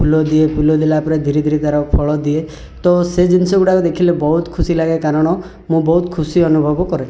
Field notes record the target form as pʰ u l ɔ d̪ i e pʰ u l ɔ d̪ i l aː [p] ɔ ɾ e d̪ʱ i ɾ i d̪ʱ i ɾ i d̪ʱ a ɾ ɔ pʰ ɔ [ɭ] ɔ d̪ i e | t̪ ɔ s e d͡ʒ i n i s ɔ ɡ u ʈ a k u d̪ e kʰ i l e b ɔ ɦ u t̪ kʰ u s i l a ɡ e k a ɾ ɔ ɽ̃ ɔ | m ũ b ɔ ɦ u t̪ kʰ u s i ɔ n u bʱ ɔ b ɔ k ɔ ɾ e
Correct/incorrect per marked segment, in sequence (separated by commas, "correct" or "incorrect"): correct, correct